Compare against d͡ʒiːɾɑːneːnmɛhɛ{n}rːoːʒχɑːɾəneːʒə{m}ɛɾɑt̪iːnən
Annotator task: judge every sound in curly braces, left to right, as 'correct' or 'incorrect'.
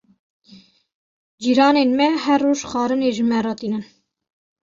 incorrect: none, correct

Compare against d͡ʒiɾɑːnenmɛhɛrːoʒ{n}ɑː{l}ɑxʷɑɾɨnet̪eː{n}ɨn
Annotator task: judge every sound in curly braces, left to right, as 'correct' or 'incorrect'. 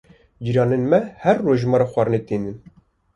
incorrect: m, incorrect: ɾ, correct

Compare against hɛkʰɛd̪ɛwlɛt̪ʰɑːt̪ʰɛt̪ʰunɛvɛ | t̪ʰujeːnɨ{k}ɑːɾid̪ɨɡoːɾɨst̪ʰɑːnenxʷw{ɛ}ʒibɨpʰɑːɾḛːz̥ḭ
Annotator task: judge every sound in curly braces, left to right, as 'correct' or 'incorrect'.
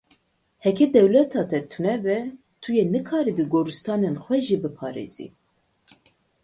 incorrect: kʰ, correct

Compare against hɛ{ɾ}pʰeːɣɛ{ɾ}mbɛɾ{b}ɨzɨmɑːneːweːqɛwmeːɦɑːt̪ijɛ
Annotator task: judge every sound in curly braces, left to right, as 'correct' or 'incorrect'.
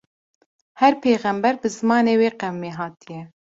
correct, incorrect: none, correct

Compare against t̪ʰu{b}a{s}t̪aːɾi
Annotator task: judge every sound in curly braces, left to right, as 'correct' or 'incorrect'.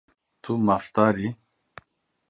incorrect: m, incorrect: f

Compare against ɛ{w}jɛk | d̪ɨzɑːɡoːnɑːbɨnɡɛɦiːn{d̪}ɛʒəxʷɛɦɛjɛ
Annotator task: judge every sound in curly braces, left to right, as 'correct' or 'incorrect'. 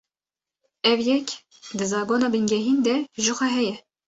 incorrect: v, correct

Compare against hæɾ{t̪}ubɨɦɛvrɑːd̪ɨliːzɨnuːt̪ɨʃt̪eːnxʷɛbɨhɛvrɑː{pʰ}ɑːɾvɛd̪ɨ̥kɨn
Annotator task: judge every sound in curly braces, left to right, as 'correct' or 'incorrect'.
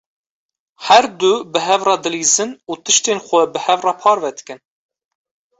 incorrect: d̪, correct

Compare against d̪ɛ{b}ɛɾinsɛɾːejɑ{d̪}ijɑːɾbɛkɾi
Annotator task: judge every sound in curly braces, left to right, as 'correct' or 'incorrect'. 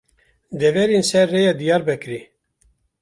incorrect: v, correct

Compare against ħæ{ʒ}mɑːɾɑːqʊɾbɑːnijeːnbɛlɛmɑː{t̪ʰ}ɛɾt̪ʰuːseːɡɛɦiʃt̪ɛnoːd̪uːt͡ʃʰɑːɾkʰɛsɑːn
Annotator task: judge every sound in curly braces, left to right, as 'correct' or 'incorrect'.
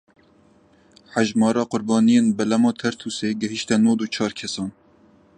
correct, correct

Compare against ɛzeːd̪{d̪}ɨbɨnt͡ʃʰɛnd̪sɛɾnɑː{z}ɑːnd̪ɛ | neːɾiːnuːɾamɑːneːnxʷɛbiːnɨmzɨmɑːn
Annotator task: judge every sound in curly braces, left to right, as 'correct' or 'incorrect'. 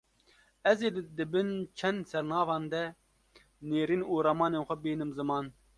correct, incorrect: v

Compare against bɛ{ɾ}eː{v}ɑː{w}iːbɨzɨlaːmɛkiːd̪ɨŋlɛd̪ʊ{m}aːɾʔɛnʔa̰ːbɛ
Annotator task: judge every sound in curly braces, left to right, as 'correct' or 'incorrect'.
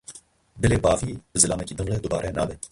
incorrect: l, incorrect: b, incorrect: v, incorrect: b

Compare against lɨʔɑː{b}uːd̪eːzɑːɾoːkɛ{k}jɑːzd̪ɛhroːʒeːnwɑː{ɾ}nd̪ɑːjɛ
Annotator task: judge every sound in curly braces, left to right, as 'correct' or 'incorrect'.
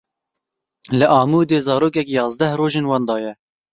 incorrect: m, correct, incorrect: none

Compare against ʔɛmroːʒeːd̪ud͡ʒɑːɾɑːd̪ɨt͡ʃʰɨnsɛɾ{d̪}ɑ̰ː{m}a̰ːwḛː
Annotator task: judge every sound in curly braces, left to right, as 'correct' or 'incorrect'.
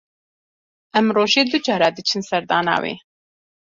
correct, incorrect: n

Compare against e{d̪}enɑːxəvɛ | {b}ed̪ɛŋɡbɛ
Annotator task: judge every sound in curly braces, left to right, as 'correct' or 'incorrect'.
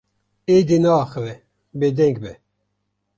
correct, correct

